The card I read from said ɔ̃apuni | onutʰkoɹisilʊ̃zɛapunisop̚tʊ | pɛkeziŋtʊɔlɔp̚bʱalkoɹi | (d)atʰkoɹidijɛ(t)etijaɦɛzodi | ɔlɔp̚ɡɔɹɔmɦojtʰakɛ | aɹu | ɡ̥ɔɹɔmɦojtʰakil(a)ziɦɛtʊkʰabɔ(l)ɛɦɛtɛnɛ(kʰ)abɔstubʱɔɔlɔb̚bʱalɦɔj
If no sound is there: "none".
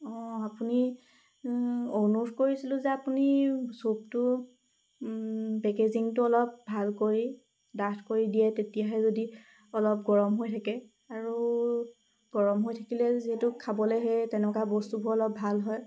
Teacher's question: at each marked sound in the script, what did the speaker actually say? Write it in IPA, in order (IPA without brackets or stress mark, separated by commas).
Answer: d, t, ɛ, l, k